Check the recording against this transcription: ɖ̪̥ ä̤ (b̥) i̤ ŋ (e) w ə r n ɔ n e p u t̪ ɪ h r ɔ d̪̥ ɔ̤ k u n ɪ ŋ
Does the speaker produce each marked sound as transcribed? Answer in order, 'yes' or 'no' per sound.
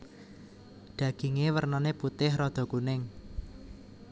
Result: no, yes

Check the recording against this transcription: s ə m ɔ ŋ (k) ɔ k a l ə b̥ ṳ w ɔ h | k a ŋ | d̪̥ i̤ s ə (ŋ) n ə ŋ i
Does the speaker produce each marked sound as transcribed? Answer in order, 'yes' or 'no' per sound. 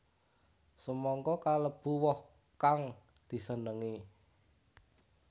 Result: yes, no

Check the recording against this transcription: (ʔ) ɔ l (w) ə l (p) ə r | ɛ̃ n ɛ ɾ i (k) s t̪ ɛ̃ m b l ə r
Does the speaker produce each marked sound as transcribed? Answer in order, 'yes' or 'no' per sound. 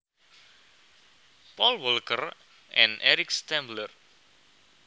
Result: no, yes, no, yes

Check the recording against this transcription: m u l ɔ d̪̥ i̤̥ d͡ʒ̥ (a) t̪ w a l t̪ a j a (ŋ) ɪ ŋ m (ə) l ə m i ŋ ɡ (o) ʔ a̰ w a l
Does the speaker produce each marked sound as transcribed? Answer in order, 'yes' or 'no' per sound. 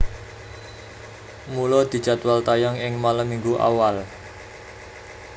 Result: yes, yes, no, no

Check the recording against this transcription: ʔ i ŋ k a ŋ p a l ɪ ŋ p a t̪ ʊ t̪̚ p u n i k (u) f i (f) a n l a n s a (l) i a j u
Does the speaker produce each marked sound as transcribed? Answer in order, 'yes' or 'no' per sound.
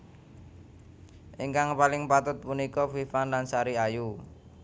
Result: no, yes, no

